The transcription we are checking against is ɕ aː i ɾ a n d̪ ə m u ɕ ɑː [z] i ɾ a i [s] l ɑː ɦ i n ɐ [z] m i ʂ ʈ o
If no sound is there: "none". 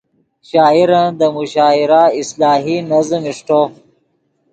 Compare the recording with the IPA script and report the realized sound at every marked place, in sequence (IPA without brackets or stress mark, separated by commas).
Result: none, s, z